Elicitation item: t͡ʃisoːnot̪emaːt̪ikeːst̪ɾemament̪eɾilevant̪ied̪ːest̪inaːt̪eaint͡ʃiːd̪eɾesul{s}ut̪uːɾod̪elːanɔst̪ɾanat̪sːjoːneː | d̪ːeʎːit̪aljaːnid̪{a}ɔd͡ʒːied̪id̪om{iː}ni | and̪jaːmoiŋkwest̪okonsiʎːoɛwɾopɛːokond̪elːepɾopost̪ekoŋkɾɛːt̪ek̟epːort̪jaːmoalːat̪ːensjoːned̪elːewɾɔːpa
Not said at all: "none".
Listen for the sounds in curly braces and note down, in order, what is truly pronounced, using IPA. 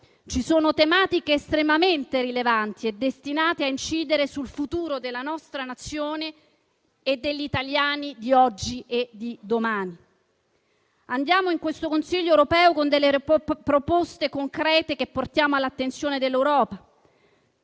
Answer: f, i, aː

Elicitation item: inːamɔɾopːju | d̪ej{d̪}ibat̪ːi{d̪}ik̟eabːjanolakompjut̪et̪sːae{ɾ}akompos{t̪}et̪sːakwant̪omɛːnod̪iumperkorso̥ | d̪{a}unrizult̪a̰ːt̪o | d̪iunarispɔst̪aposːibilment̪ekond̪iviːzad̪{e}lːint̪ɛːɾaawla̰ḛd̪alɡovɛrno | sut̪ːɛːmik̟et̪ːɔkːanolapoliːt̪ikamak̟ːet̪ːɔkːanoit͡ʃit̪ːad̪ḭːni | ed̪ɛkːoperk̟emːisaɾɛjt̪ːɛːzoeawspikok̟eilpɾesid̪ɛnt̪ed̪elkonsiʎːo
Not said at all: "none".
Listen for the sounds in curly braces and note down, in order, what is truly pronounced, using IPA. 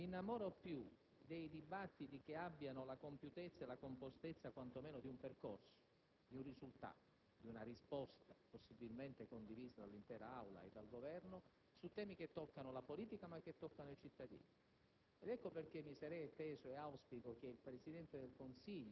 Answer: d̪, t̪, l, t̪, i, a

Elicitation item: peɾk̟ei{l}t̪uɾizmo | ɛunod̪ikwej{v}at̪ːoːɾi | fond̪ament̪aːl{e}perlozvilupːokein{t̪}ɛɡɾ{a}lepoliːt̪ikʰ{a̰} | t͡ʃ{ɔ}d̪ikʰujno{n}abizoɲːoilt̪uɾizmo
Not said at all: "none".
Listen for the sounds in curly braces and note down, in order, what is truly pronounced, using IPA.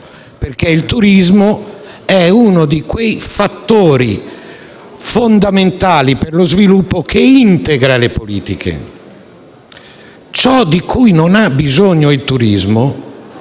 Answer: l, f, i, t̪, a, ḛ, ɔ, n

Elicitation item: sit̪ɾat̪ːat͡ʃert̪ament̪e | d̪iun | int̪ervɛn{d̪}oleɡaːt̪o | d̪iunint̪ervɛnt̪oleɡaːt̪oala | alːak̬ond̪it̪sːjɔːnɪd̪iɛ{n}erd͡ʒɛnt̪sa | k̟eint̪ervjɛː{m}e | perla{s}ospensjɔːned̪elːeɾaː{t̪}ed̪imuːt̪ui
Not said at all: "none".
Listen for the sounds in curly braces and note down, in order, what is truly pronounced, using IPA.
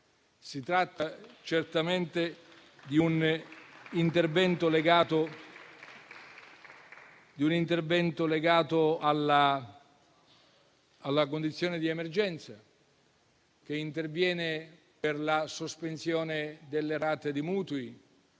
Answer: t̪, m, n, s, t̪

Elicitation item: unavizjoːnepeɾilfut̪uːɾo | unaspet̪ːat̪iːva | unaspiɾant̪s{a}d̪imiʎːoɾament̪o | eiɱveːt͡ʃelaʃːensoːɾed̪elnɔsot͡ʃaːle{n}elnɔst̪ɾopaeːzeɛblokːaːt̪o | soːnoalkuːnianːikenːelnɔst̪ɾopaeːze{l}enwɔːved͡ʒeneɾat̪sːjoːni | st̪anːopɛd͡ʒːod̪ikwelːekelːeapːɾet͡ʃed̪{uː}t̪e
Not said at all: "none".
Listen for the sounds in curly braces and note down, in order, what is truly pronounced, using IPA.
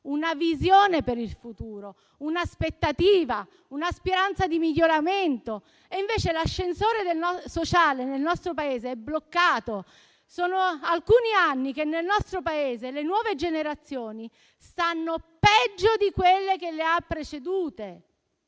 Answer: a, n, l, uː

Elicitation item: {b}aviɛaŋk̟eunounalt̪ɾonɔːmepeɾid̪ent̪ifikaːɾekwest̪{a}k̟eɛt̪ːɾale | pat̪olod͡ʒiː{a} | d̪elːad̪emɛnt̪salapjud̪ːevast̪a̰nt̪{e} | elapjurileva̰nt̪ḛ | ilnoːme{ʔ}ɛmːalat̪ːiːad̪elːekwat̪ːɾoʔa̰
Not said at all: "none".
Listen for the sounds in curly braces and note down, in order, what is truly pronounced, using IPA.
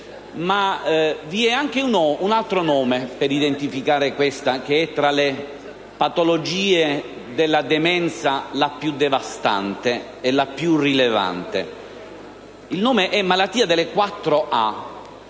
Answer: m, a, e, e, ʔ

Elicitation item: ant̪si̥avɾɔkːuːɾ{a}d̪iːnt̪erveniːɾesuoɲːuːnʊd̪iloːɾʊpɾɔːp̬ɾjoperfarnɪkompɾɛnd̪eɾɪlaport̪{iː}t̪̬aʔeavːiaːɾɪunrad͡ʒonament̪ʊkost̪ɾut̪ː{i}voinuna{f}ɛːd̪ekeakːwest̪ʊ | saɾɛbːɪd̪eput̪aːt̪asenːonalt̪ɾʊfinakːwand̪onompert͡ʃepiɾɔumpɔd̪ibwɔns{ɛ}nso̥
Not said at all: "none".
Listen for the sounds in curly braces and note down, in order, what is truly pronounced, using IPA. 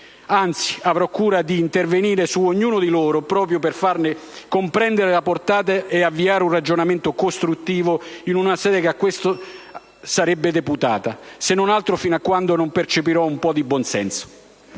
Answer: a, aː, iː, s, ɛ

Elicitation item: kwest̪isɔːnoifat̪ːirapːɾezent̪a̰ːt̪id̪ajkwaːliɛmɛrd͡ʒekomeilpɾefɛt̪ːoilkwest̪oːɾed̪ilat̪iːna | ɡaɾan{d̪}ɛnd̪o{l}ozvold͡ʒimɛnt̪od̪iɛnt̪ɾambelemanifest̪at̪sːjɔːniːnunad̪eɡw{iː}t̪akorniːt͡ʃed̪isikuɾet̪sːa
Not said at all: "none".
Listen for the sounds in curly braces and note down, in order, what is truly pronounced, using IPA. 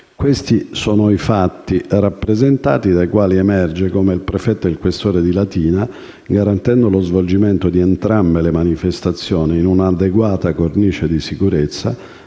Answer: t̪, l, aː

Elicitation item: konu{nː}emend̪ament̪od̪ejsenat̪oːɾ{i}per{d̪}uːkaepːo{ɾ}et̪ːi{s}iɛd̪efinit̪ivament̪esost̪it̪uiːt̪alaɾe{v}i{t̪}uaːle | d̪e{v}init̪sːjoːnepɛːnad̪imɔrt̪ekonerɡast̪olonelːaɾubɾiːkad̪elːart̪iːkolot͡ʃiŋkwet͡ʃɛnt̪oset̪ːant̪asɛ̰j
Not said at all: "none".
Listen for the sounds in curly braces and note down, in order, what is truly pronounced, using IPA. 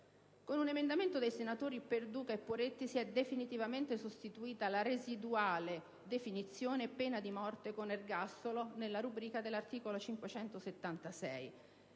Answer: n, i, d̪, ɾ, s, z, d̪, f

